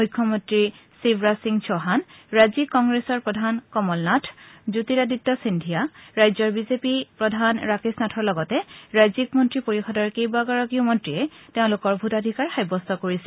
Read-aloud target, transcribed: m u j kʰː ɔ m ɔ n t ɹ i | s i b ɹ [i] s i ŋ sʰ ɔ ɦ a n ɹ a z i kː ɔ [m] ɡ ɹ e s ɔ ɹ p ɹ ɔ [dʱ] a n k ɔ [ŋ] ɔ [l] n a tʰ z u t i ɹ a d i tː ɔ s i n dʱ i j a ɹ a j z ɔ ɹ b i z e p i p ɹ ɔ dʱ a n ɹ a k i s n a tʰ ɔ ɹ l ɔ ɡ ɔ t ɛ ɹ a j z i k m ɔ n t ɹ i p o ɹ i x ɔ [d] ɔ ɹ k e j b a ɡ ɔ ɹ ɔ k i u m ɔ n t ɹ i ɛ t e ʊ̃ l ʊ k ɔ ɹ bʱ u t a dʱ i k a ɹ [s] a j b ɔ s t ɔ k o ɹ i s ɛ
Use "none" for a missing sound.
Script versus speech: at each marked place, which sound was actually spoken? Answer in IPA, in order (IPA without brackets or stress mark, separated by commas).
a, ŋ, dʱ, m, l, d, x